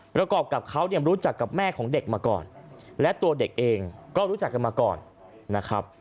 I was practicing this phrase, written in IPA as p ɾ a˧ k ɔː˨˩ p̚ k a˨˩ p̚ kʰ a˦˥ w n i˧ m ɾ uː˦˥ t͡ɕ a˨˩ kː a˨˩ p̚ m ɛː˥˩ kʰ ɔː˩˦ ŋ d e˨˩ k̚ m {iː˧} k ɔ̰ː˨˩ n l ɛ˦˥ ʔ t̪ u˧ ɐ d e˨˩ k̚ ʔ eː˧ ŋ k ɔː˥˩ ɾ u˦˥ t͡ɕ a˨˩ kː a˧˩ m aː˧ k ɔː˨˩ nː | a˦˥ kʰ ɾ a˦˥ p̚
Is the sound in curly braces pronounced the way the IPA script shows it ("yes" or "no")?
no